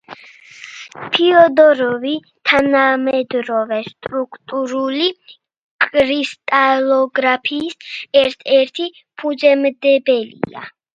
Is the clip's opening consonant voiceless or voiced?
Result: voiceless